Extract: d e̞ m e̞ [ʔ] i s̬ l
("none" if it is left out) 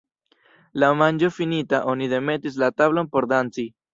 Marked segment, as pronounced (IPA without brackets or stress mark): t